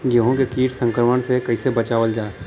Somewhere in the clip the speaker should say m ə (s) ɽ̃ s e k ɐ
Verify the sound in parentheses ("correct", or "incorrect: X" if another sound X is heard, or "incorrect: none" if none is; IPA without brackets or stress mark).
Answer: incorrect: none